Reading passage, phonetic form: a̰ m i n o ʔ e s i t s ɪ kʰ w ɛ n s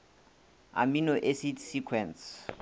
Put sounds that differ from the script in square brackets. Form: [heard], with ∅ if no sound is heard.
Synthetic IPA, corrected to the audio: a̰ m i n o ʔ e s i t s [i] kʰ w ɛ n s

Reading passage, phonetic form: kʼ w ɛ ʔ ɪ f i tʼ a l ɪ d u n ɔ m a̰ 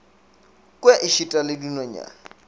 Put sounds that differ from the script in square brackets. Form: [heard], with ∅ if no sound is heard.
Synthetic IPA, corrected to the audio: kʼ w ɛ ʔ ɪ [ʃ] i tʼ a l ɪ d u n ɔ [ɲ] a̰

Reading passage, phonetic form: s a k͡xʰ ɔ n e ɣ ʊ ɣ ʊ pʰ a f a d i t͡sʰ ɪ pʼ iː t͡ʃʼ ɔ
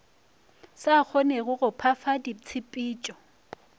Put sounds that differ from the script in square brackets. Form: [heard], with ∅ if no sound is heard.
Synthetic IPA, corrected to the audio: s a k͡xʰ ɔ n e ɣ ʊ ɣ ʊ pʰ a f a d i t͡sʰ ɪ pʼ iː t͡ʃʼ ɔ

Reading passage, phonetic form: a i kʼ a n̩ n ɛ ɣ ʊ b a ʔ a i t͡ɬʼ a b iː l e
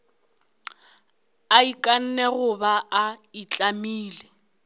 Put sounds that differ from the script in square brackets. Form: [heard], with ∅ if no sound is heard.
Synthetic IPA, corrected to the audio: a i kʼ a n̩ n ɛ ɣ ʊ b a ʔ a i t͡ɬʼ a [m] iː l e

